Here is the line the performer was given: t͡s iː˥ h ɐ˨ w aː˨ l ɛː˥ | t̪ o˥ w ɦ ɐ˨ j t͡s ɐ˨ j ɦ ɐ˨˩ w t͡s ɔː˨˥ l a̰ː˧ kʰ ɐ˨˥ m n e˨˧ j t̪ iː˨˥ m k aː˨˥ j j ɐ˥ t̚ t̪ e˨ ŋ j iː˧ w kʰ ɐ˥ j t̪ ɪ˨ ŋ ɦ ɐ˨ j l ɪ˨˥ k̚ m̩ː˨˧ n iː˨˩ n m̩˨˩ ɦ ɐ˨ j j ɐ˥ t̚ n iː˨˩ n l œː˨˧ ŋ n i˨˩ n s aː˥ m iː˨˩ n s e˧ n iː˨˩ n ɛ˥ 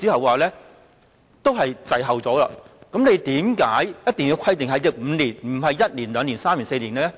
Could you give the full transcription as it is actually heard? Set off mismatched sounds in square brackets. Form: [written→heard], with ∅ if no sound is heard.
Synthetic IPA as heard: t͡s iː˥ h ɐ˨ w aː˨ l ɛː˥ | t̪ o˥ w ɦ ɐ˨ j t͡s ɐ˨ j ɦ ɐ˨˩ w t͡s ɔː˨˥ l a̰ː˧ [kʰ→k] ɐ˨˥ m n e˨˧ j t̪ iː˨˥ m k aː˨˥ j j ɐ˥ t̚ t̪ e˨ ŋ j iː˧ w kʰ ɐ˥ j t̪ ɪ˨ ŋ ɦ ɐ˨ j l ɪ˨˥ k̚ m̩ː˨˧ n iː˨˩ n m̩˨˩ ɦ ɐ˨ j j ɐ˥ t̚ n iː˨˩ n l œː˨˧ ŋ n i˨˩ n s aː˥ m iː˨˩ n s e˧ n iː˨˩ n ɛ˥